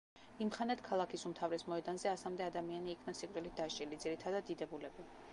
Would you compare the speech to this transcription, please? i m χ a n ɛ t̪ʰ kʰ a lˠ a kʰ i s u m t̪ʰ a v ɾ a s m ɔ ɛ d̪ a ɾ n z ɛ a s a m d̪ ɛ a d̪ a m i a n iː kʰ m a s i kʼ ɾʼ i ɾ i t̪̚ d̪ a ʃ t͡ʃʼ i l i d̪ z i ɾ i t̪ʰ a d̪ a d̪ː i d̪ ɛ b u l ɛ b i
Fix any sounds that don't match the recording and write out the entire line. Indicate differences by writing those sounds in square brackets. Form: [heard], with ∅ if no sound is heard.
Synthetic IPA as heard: i m χ a n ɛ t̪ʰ kʰ a lˠ a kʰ i s u m t̪ʰ a v ɾ [ɛ] s m ɔ ɛ d̪ a [∅] n z ɛ a s a m d̪ ɛ a d̪ a m i a n iː kʰ [n] a s i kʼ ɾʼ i [l] i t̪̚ d̪ a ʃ t͡ʃʼ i l i d̪ z i ɾ i t̪ʰ a d̪ a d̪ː i d̪ ɛ b u l ɛ b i